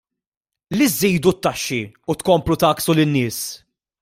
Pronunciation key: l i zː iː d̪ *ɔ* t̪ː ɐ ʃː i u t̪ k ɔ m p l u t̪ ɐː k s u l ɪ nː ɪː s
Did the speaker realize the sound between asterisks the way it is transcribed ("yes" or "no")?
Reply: no